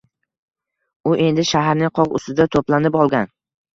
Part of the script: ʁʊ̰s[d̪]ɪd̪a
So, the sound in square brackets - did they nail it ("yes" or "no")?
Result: no